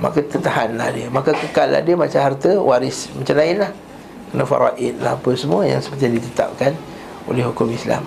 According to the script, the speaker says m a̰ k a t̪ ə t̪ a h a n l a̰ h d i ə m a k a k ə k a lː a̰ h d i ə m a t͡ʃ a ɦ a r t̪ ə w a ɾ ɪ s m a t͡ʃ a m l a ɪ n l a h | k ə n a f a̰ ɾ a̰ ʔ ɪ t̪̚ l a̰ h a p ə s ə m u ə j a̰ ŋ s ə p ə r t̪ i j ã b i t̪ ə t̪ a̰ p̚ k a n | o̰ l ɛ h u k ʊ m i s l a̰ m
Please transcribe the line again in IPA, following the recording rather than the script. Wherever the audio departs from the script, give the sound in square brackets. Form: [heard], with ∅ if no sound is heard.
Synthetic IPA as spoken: m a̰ k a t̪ ə t̪ a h a n l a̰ h d i ə m a k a k ə k a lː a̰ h d i ə m a t͡ʃ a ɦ a r t̪ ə w a ɾ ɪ s m a t͡ʃ a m l a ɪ n l a h | k ə n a f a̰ ɾ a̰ ʔ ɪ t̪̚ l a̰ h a p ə s ə m u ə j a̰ ŋ s ə p ə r t̪ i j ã [d] i t̪ ə t̪ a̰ p̚ k a n | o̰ l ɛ h u k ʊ m i s l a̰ m